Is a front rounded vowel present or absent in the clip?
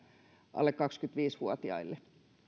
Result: present